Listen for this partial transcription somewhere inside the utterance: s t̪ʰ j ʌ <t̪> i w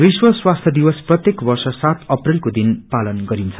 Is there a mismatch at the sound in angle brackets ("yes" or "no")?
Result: yes